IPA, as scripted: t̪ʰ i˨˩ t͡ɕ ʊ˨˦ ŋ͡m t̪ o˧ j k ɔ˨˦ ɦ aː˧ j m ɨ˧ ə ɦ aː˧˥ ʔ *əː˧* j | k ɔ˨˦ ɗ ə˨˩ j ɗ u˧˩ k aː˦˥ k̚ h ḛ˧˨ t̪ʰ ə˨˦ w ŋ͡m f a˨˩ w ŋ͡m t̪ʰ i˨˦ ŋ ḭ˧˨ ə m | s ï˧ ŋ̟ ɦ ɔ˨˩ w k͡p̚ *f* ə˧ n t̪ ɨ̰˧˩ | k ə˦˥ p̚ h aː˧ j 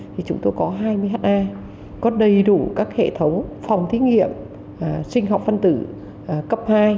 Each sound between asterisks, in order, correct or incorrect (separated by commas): incorrect, correct